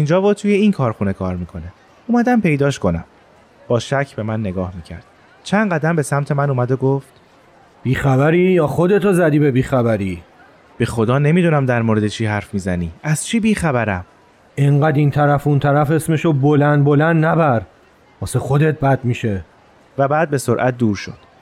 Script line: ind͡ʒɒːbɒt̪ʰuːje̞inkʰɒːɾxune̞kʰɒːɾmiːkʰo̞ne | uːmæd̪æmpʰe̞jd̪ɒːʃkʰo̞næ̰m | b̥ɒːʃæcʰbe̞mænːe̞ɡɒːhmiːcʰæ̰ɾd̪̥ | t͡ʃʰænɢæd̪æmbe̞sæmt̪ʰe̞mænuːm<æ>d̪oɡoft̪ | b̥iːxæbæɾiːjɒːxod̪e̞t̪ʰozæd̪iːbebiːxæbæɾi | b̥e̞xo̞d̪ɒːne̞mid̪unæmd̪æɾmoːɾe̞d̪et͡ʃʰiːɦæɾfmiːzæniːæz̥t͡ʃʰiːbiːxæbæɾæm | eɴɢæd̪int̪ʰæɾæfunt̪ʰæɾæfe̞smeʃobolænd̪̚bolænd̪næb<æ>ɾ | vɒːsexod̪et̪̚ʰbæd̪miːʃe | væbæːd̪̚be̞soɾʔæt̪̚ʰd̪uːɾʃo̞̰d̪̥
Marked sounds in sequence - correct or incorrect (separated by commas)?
correct, correct